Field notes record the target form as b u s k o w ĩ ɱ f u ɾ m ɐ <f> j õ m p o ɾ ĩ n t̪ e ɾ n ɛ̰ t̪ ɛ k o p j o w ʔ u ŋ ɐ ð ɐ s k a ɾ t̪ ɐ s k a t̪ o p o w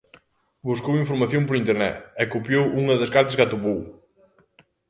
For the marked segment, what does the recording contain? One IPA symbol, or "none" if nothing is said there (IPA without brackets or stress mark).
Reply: θ